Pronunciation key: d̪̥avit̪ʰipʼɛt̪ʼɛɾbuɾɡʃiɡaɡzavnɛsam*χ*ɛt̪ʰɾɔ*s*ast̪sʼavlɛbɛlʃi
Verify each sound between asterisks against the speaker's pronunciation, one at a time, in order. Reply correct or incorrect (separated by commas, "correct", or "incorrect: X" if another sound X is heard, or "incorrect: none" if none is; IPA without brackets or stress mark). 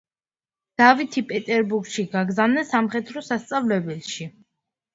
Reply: correct, correct